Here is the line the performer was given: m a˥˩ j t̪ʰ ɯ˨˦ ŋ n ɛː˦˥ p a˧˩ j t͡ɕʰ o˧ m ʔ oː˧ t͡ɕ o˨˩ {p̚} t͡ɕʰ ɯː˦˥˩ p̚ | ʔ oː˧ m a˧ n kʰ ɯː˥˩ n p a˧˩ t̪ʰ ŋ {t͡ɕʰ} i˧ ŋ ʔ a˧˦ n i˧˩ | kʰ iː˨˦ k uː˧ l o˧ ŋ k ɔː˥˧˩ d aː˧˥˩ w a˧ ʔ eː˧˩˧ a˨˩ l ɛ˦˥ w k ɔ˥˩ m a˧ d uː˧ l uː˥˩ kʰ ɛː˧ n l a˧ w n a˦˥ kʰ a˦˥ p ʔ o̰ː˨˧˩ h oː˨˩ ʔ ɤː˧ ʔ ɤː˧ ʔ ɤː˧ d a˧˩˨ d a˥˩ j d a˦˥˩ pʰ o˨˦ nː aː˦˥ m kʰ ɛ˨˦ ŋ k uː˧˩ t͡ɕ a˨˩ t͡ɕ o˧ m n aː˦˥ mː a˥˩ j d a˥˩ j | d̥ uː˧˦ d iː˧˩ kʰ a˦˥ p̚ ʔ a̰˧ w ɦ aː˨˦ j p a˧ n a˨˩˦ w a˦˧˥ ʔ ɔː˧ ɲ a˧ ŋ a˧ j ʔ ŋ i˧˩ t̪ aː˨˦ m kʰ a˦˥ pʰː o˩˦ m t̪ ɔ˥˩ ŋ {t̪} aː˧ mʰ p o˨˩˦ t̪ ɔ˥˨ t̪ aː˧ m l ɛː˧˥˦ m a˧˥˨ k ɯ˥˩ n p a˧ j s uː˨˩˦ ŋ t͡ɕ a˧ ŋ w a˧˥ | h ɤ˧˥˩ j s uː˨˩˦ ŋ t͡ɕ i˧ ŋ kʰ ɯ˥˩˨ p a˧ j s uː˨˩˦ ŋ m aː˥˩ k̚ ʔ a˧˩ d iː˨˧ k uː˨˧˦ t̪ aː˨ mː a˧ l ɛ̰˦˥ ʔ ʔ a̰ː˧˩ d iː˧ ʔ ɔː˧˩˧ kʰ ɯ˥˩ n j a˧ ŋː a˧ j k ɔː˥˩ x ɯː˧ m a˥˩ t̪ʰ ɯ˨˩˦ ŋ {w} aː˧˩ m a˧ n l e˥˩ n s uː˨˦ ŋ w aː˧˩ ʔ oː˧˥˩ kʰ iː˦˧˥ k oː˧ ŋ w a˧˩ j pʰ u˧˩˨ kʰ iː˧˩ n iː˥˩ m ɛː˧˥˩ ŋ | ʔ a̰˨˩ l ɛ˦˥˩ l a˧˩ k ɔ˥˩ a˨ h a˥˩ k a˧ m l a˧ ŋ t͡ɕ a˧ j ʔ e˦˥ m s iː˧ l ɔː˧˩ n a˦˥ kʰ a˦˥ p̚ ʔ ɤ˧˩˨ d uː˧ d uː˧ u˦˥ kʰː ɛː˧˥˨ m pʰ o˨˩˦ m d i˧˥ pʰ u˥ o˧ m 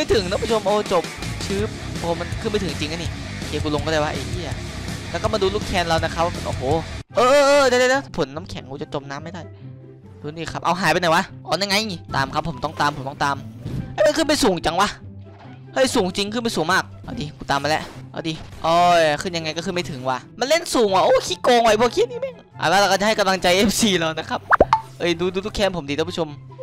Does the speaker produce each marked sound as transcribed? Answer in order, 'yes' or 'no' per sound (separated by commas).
yes, no, yes, yes